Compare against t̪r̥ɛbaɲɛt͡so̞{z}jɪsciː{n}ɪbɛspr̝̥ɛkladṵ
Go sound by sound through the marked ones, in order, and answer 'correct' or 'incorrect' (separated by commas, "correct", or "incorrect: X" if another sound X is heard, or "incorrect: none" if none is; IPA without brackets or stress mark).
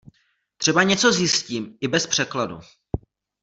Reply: correct, incorrect: m